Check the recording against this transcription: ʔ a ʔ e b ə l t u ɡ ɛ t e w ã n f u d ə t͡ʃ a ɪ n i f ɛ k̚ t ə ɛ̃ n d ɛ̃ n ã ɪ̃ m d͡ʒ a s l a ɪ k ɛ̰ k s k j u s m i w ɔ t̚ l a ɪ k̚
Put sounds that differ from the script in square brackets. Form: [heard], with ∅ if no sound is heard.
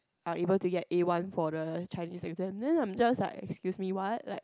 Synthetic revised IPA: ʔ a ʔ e b ə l t u ɡ ɛ t e w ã n f [ɔ] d ə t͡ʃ a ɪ n i [s] ɛ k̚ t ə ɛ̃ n d ɛ̃ n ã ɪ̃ m d͡ʒ a s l a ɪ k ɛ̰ k s k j u s m i w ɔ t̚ l a ɪ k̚